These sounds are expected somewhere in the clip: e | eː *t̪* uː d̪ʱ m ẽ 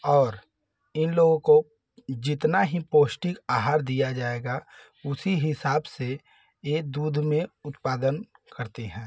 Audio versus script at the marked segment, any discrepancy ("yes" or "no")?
yes